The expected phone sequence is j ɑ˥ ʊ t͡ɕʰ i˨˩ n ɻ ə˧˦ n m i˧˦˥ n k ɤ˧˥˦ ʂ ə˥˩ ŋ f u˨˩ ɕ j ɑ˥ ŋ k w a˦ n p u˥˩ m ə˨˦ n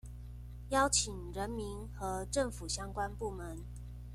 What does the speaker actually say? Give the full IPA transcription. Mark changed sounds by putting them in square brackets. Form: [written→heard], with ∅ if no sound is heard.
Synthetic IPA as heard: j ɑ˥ ʊ t͡ɕʰ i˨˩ [n→ŋ] ɻ ə˧˦ n m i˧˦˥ n [k→x] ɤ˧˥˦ [ʂ→ʈ͡ʂ] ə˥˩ ŋ f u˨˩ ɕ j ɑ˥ ŋ k w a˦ n p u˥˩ m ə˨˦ n